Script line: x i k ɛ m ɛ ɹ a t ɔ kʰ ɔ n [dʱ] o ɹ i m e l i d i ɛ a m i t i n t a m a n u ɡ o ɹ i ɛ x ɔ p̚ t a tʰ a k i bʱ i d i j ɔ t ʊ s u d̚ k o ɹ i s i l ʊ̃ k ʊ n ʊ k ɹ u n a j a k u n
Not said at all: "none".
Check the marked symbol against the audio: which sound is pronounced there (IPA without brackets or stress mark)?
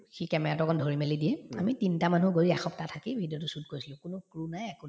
dʱ